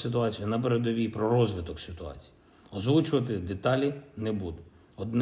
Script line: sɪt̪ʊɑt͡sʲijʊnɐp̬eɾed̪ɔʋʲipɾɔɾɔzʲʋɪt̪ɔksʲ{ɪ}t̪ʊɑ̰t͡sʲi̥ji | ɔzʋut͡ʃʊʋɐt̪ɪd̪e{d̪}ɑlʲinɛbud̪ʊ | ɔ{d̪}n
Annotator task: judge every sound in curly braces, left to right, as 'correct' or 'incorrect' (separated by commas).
correct, incorrect, correct